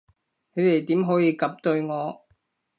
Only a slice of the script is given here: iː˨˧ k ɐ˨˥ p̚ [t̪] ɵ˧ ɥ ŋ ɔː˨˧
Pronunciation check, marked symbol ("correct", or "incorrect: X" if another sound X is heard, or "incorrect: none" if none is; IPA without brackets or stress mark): correct